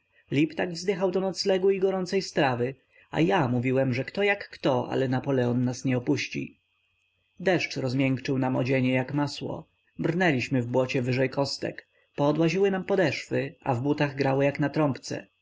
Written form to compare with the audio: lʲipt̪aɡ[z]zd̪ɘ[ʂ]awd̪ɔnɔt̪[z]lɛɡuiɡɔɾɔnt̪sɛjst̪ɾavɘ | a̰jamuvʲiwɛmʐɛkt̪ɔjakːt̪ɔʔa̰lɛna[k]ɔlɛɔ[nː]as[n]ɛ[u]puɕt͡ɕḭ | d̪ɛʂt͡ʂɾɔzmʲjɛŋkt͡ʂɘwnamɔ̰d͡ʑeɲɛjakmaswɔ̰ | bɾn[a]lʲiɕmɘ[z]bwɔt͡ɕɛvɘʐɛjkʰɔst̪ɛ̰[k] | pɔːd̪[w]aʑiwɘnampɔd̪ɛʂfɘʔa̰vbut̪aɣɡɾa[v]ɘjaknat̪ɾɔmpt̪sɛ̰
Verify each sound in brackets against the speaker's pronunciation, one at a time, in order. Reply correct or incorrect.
incorrect, incorrect, incorrect, incorrect, correct, incorrect, incorrect, incorrect, incorrect, correct, correct, incorrect

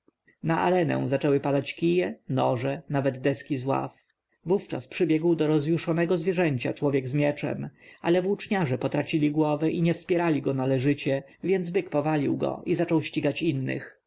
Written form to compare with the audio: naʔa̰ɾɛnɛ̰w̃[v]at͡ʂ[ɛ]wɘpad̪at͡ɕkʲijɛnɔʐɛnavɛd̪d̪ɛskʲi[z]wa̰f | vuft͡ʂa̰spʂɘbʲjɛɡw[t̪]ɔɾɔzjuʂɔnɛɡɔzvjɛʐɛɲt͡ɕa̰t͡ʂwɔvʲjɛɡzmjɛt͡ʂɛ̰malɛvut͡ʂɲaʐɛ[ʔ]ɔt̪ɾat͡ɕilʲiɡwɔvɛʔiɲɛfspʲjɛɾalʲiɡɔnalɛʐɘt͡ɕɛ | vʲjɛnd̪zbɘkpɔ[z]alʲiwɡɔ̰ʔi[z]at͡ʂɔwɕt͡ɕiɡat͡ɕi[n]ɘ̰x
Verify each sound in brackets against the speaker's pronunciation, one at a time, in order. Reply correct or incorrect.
incorrect, correct, correct, incorrect, incorrect, incorrect, correct, incorrect

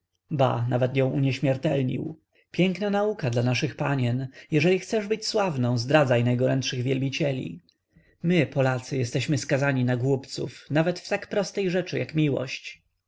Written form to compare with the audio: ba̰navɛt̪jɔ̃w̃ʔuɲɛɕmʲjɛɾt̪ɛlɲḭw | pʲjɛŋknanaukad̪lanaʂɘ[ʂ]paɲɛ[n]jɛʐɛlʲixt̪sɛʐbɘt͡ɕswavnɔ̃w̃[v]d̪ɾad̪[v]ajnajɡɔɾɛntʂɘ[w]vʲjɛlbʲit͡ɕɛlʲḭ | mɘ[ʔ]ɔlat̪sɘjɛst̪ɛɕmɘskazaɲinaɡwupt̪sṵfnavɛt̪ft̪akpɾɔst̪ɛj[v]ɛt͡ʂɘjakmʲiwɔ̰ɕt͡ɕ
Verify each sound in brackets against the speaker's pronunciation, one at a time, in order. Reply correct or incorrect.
incorrect, correct, incorrect, incorrect, incorrect, incorrect, incorrect

